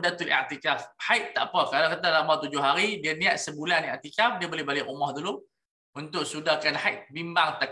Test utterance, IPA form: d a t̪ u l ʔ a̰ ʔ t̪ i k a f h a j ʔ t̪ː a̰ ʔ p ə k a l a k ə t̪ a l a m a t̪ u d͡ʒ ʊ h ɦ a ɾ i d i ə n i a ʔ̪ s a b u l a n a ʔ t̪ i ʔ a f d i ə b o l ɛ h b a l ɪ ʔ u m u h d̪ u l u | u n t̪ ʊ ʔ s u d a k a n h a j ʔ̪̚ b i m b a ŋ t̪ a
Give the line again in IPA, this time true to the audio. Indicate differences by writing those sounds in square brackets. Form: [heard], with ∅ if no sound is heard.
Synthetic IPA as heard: d a t̪ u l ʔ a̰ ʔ t̪ i k a f h a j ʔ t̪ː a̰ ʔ p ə k a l a k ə t̪ a l a m a t̪ u d͡ʒ ʊ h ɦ a ɾ i d i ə n i a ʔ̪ s [ə] b u l a n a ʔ t̪ i [k] a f d i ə b o l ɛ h b a l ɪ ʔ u m [ɔ] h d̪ u l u | u n t̪ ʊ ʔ s u d a k a n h a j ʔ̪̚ b i m b a ŋ t̪ a